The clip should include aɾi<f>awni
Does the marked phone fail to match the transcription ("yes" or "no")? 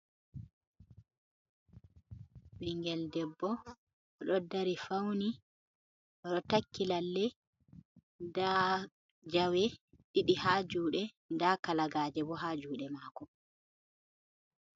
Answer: no